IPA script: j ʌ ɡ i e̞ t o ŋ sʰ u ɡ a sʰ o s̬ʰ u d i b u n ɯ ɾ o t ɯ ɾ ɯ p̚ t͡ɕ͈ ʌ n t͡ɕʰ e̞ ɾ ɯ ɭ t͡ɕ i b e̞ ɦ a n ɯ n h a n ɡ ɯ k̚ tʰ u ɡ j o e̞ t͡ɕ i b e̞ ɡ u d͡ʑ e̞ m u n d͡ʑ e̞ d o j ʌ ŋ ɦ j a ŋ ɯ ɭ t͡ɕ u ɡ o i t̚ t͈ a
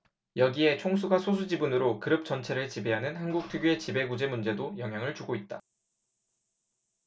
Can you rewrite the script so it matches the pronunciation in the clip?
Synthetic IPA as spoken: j ʌ ɡ i e̞ t͡ɕʰ o ŋ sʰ u ɡ a sʰ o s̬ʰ u d͡ʑ i b u n ɯ ɾ o k ɯ ɾ ɯ p̚ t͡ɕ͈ ʌ n t͡ɕʰ e̞ ɾ ɯ ɭ t͡ɕ i b e̞ ɦ a n ɯ n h a n ɡ u k̚ tʰ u ɡ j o e̞ t͡ɕ i b e̞ ɡ u d͡ʑ e̞ m u n d͡ʑ e̞ d o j ʌ ŋ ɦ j a ŋ ɯ ɭ t͡ɕ u ɡ o i t̚ t͈ a

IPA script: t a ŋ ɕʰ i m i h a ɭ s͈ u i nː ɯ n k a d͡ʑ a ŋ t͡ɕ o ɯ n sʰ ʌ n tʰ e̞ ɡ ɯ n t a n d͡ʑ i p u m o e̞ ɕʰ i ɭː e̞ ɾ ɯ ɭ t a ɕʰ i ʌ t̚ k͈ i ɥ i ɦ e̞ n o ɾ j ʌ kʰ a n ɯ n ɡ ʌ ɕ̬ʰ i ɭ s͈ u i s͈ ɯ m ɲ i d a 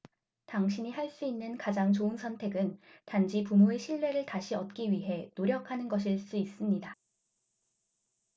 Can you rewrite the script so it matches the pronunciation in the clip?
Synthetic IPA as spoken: t a ŋ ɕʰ i ɲ i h a ɭ s͈ u i nː ɯ n k a d͡ʑ a ŋ t͡ɕ o ɯ n sʰ ʌ n tʰ e̞ ɡ ɯ n t a n d͡ʑ i p u m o e̞ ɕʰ i ɭː e̞ ɾ ɯ ɭ t a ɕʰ i ʌ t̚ k͈ i ɥ i ɦ e̞ n o ɾ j ʌ kʰ a n ɯ n ɡ ʌ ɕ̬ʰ i ɭ s͈ u i s͈ ɯ m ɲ i d a

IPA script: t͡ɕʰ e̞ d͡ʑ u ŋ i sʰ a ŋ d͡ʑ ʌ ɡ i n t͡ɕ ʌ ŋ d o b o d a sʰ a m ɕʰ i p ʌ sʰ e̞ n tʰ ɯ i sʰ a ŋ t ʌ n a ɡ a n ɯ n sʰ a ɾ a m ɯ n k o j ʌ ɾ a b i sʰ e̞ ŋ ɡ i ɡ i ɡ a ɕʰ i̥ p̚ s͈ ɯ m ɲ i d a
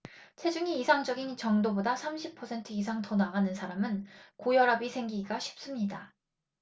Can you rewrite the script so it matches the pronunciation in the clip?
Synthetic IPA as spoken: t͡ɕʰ e̞ d͡ʑ u ŋ iː sʰ a ŋ d͡ʑ ʌ ɡ i n t͡ɕ ʌ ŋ d o b o d a sʰ a m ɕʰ i pʰ ʌ sʰ e̞ n tʰ ɯ i sʰ a ŋ t ʌ n a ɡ a n ɯ n sʰ a ɾ a m ɯ n k o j ʌ ɾ a b i sʰ e̞ ŋ ɡ i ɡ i ɡ a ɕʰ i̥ p̚ s͈ ɯ m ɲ i d a

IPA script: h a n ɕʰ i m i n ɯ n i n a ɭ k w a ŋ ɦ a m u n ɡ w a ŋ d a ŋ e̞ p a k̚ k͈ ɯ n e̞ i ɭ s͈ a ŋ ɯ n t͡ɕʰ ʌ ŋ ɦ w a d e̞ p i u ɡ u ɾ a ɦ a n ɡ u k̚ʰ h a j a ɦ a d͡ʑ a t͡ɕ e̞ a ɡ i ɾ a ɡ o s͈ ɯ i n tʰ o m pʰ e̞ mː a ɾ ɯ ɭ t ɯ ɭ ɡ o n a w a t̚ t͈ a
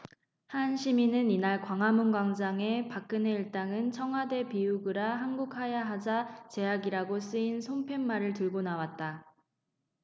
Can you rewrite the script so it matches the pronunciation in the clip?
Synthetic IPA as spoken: h a n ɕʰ i m i n ɯ n i n a ɭ k w a ŋ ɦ a m u n ɡ w a ŋ d͡ʑ a ŋ e̞ p a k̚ k͈ ɯ n e̞ i ɭ t͈ a ŋ ɯ n t͡ɕʰ ʌ ŋ ɦ w a d e̞ p i u ɡ ɯ ɾ a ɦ a n ɡ u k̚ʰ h a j a ɦ a d͡ʑ a t͡ɕ e̞ a ɡ i ɾ a ɡ o s͈ ɯ i n sʰ o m pʰ e̞ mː a ɾ ɯ ɭ t ɯ ɭ ɡ o n a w a t̚ t͈ a

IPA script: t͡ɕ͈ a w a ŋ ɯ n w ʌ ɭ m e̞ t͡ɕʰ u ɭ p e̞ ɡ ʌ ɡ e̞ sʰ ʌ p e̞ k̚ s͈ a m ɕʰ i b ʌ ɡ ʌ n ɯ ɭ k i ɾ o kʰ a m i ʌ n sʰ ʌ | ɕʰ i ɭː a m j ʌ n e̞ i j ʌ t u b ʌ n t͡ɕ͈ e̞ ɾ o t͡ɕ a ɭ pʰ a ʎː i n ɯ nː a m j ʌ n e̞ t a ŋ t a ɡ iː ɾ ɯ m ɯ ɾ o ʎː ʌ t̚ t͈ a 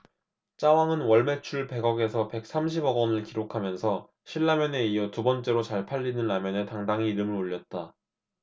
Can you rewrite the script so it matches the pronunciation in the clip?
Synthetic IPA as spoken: t͡ɕ͈ a w a ŋ ɯ n w ʌ ɭ m e̞ t͡ɕʰ u ɭ p e̞ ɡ ʌ ɡ e̞ sʰ ʌ p e̞ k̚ s͈ a m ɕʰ i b ʌ ɡ ʌ n ɯ ɭ k i ɾ o kʰ a m j ʌ n sʰ ʌ | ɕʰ i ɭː a m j ʌ n e̞ i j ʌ t u b ʌ n t͡ɕ͈ e̞ ɾ o t͡ɕ a ɭ pʰ a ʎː i n ɯ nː a m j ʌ n e̞ t a ŋ d a ŋ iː ɾ ɯ m ɯ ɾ o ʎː ʌ t̚ t͈ a

